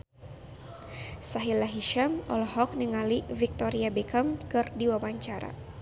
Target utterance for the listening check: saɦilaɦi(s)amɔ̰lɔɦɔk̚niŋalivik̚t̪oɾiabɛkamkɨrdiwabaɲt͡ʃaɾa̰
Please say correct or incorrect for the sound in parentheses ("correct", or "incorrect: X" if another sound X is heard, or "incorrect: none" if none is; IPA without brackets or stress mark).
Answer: incorrect: ʃ